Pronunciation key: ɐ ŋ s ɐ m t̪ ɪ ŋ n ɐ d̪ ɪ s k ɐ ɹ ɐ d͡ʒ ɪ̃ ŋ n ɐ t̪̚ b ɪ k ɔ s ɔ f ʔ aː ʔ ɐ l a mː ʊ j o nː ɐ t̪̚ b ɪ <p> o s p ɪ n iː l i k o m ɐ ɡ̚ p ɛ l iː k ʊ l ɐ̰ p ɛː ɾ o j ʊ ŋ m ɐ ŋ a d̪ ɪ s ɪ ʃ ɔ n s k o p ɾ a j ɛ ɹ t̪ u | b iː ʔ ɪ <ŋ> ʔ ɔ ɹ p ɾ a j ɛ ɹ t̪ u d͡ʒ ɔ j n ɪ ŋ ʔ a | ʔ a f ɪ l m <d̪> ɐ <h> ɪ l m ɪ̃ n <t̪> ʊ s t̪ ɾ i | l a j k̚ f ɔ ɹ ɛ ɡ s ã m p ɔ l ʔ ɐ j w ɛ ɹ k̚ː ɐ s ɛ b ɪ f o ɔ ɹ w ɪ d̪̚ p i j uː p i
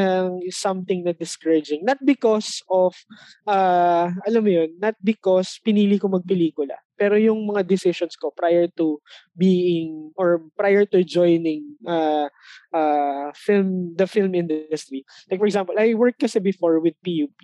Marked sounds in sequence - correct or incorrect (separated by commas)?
incorrect, correct, correct, incorrect, incorrect